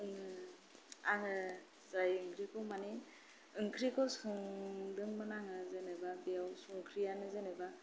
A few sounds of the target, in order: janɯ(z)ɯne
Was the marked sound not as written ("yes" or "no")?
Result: no